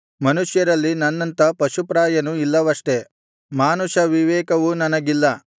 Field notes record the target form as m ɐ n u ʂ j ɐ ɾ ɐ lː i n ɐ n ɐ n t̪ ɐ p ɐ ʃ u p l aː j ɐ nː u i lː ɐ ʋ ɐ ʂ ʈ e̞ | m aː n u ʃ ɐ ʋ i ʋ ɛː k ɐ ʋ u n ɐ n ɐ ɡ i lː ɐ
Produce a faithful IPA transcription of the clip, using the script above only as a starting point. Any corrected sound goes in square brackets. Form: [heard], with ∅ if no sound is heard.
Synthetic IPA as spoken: m ɐ n u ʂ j ɐ ɾ ɐ lː i n ɐ [nː] ɐ n t̪ ɐ p ɐ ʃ u p [ɾ] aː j ɐ [n] u i lː ɐ ʋ ɐ ʂ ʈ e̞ | m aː n u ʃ ɐ ʋ i ʋ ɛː k ɐ ʋ u n ɐ n ɐ ɡ i lː ɐ

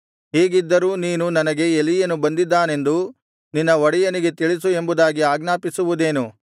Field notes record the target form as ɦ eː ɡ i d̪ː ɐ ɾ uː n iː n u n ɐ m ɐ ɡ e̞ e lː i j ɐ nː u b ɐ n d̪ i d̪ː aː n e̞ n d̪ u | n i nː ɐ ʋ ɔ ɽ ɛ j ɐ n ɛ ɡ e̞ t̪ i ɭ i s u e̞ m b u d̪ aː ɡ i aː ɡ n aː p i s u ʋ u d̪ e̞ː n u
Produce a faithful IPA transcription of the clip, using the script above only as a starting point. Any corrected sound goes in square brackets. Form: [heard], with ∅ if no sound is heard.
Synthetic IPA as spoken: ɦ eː ɡ i d̪ː ɐ ɾ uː n iː n u n ɐ [n] ɐ ɡ e̞ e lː i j ɐ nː u b ɐ n d̪ i d̪ː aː n e̞ n d̪ u | n i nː ɐ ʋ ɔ ɽ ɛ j ɐ n [i] ɡ e̞ t̪ i ɭ i s u e̞ m b u d̪ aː ɡ i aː ɡ n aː p i s u ʋ u d̪ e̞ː n u

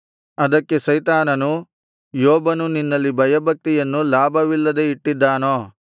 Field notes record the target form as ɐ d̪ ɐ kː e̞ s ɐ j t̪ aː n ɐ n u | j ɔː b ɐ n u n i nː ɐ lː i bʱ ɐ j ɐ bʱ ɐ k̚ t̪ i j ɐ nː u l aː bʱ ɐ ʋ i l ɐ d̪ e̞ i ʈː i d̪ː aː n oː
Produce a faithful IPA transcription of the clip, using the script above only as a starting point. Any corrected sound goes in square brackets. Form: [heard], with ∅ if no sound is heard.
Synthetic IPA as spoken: ɐ d̪ ɐ kː e̞ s ɐ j t̪ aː n ɐ n u | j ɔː b ɐ n u n i nː ɐ lː i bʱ ɐ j ɐ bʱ ɐ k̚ t̪ i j ɐ nː u l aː bʱ ɐ ʋ i [lː] ɐ d̪ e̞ i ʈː i d̪ː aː n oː

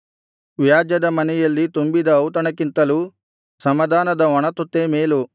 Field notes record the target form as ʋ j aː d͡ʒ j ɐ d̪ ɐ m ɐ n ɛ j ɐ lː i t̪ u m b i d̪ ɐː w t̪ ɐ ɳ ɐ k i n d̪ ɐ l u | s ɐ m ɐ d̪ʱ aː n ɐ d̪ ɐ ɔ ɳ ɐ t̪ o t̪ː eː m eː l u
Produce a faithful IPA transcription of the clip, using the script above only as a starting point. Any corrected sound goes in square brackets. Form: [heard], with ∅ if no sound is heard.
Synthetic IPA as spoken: ʋ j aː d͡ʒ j ɐ d̪ ɐ m ɐ n ɛ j ɐ lː i t̪ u m b i d̪ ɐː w t̪ ɐ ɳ ɐ k i n [t̪] ɐ l u | s ɐ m ɐ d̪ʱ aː n ɐ d̪ ɐ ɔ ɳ ɐ t̪ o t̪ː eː m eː l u

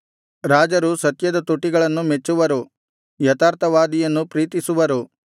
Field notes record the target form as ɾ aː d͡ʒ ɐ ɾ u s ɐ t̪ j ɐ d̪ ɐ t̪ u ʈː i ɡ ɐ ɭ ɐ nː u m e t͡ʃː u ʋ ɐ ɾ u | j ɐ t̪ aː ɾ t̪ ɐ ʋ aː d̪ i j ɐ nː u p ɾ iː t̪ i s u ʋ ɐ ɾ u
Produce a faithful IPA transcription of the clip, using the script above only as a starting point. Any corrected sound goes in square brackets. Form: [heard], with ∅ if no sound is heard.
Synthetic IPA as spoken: ɾ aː d͡ʒ ɐ ɾ u s ɐ t̪ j ɐ d̪ ɐ t̪ u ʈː i ɡ ɐ ɭ ɐ nː u m e t͡ʃː u ʋ ɐ ɾ u | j ɐ t̪ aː ɾ t̪ ɐ ʋ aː d̪ i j ɐ nː u p ɾ iː t̪ i s u ʋ ɐ ɾ u

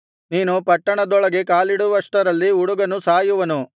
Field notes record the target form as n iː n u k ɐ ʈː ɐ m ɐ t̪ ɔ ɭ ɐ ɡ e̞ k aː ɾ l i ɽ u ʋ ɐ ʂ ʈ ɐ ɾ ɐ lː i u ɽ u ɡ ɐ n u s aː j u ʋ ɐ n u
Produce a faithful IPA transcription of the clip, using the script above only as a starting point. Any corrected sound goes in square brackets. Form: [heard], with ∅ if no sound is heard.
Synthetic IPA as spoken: n iː n u [p] ɐ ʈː ɐ [ɳ] ɐ [d̪] ɔ ɭ ɐ ɡ e̞ k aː [∅] l i ɽ u ʋ ɐ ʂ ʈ ɐ ɾ ɐ lː i u ɽ u ɡ ɐ n u s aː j u ʋ ɐ n u

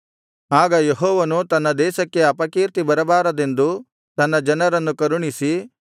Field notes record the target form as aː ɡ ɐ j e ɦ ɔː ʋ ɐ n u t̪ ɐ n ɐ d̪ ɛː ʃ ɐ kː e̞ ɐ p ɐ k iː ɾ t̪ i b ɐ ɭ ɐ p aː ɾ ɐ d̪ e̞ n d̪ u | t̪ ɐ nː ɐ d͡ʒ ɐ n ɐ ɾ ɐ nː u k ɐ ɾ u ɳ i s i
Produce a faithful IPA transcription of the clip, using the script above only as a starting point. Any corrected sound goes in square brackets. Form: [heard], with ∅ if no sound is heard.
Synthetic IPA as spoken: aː ɡ ɐ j e ɦ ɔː ʋ ɐ n u t̪ ɐ [nː] ɐ d̪ ɛː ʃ ɐ kː e̞ ɐ p ɐ k iː ɾ t̪ i b ɐ [ɾ] ɐ [b] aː ɾ ɐ d̪ e̞ n d̪ u | t̪ ɐ nː ɐ d͡ʒ ɐ n ɐ ɾ ɐ nː u k ɐ ɾ u ɳ i s i

